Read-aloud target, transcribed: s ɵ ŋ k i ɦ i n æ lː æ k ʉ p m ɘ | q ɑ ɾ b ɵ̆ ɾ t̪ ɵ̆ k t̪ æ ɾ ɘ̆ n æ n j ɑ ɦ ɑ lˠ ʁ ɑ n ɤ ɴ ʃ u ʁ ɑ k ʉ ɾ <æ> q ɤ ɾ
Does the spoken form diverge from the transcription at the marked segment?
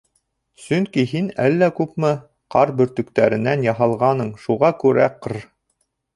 no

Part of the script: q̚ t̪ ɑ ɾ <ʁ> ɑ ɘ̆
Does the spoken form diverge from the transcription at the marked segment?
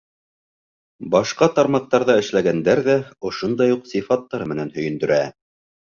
yes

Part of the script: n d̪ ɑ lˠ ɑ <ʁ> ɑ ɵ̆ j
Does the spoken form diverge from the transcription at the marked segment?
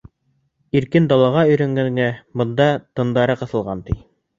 no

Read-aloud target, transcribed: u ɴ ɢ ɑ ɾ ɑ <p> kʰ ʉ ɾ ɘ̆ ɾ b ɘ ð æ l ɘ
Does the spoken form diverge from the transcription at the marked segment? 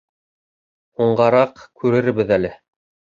yes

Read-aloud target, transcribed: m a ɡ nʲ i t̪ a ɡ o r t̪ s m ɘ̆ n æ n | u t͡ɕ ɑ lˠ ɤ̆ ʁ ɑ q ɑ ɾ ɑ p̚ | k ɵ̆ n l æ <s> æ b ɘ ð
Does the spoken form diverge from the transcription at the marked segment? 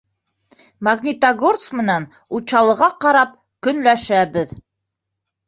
yes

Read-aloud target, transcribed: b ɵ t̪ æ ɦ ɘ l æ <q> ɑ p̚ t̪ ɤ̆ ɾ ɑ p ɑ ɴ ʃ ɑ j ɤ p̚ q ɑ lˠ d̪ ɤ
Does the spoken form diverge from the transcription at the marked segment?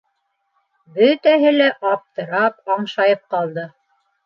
yes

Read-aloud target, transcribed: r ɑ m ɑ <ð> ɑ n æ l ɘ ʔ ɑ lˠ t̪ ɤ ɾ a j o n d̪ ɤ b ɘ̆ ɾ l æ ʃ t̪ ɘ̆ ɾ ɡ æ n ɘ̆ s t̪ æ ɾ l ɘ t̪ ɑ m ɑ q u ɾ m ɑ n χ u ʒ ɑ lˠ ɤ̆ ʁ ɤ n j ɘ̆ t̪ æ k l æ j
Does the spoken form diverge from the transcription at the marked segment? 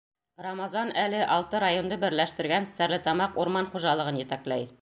yes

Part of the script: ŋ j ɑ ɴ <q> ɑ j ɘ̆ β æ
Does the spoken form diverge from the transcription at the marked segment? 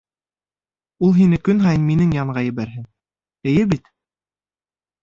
yes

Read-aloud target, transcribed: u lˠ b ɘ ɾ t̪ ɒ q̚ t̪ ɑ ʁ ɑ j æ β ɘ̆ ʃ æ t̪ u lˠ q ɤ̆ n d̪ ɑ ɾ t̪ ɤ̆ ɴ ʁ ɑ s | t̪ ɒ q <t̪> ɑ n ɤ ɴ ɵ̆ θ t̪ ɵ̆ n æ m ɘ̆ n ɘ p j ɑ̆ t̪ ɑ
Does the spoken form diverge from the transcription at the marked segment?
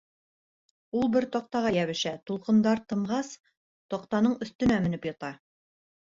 no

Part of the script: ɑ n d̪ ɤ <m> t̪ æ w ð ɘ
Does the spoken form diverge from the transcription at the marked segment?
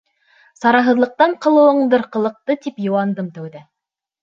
no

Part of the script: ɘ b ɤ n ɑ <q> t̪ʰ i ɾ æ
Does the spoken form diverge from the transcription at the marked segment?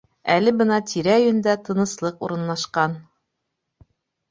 yes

